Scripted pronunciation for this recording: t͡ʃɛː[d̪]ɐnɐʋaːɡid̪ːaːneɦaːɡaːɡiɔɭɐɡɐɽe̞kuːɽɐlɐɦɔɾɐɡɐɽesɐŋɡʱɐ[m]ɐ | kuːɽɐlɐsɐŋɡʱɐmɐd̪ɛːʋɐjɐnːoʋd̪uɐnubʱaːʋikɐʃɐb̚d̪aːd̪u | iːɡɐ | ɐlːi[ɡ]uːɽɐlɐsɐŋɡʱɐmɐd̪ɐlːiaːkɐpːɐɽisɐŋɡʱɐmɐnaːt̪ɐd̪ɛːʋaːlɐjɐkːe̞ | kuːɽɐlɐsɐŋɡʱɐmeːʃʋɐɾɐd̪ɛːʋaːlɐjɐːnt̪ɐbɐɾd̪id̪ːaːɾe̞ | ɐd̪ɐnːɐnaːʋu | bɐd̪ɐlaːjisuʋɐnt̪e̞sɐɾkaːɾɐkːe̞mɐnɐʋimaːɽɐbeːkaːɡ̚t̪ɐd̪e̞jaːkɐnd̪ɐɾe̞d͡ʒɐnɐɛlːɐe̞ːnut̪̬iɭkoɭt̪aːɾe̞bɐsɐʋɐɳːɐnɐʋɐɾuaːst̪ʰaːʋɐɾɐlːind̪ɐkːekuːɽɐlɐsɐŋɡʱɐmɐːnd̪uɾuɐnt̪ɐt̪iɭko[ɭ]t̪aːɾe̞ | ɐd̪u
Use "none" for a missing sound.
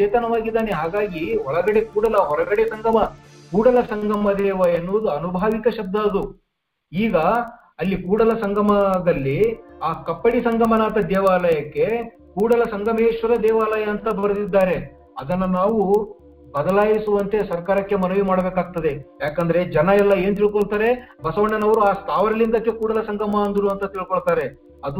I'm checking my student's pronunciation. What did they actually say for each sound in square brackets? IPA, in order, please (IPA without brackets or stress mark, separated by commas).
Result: t̪, m, k, ɭ